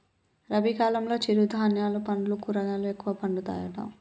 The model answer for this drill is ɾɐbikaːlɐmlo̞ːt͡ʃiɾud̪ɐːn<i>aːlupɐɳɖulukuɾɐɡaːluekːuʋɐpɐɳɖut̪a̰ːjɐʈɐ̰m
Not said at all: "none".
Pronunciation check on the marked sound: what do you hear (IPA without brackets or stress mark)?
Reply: j